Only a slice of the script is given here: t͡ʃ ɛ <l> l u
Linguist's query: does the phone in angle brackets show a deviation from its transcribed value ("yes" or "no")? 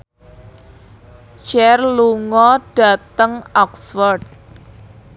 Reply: yes